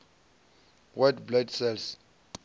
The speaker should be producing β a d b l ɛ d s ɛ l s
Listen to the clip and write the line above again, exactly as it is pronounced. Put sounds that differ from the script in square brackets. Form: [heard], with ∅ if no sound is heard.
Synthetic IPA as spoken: [w] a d b l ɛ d s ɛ l s